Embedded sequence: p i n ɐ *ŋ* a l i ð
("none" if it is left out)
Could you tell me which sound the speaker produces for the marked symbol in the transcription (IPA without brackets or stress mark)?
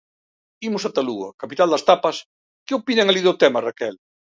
ŋ